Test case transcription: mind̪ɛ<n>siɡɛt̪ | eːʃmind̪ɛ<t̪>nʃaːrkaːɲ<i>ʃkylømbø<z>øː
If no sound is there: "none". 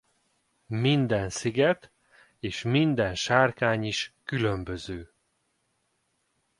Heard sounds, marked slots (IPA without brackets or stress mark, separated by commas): n, none, i, z